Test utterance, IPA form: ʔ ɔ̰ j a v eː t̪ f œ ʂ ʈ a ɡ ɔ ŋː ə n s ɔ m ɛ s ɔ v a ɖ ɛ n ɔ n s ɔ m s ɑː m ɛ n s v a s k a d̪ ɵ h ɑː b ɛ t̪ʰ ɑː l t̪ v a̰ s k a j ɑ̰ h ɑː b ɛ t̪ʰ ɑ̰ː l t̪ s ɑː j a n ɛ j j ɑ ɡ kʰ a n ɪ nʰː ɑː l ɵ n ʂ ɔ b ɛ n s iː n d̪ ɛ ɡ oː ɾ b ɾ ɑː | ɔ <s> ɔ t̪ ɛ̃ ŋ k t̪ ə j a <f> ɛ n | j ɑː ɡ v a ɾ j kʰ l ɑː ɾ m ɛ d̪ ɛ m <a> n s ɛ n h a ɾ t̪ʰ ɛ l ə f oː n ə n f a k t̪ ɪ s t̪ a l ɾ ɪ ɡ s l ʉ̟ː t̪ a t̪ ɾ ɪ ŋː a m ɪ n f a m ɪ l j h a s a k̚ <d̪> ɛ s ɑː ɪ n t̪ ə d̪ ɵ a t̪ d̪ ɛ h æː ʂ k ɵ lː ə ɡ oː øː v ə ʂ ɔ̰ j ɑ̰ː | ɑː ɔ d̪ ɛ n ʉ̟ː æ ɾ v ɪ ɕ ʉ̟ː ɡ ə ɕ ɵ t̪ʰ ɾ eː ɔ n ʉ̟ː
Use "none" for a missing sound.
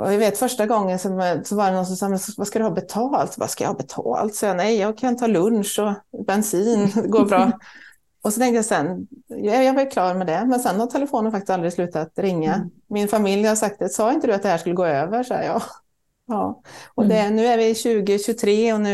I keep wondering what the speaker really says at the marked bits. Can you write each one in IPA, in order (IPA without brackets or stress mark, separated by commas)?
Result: s, s, ɛ, t̪